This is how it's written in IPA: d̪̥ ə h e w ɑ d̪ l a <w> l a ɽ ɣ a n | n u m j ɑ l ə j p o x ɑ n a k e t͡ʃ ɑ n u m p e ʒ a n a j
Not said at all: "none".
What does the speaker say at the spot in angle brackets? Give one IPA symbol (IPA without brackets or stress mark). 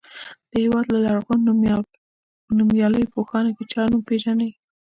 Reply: none